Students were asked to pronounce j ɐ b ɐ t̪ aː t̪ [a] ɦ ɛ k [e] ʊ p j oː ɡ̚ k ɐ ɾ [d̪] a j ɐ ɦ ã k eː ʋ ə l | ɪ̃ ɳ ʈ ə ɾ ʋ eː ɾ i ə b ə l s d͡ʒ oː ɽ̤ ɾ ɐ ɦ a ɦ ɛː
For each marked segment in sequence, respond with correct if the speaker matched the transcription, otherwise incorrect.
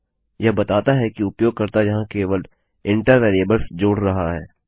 correct, incorrect: i, incorrect: t̪

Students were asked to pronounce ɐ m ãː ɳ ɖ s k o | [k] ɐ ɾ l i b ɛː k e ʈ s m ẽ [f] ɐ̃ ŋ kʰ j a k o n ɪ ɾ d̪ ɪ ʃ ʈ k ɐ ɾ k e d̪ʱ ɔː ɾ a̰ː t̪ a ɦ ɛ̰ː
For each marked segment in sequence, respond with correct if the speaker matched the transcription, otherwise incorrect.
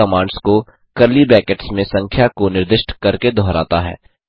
correct, incorrect: s

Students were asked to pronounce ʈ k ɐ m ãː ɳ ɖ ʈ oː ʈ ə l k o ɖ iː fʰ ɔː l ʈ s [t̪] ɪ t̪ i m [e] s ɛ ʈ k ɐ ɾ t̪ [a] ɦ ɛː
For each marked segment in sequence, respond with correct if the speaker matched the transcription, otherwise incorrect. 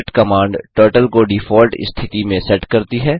incorrect: t̪ʰ, incorrect: ẽ, incorrect: i

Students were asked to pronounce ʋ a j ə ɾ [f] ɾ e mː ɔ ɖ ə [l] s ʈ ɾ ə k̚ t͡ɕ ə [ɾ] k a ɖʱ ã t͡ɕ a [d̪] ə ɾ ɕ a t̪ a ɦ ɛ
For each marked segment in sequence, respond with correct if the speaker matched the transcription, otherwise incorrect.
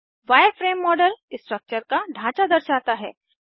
correct, correct, correct, correct

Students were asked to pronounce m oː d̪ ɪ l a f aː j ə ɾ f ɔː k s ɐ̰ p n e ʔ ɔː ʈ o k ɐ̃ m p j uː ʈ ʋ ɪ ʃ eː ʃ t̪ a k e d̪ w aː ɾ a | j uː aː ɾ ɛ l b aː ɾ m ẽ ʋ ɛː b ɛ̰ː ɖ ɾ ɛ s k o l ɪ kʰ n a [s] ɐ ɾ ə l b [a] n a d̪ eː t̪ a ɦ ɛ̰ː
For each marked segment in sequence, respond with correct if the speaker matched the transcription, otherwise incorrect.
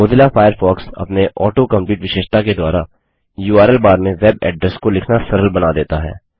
correct, incorrect: ɐ

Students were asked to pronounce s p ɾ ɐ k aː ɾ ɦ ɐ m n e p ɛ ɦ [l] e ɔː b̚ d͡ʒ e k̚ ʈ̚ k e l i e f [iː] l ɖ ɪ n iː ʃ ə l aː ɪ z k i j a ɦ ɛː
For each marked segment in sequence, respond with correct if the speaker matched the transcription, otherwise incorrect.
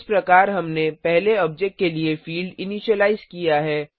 correct, correct

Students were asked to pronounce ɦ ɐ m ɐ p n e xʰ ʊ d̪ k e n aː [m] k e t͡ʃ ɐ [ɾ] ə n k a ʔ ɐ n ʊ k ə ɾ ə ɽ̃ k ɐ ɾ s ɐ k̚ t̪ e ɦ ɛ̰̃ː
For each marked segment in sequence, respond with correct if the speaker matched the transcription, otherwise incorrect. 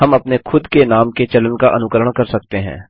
correct, incorrect: l

